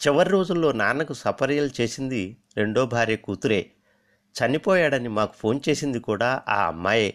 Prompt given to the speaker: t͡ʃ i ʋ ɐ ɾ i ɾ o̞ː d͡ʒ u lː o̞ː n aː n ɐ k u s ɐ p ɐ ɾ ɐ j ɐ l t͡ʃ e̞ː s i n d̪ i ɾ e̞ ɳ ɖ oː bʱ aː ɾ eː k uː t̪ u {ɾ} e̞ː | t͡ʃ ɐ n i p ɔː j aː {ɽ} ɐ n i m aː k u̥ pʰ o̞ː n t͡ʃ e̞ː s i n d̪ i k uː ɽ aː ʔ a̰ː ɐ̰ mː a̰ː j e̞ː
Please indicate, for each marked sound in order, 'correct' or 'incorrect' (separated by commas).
correct, correct